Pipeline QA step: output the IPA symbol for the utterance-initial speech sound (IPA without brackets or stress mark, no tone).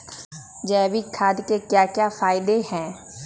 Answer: d͡ʒ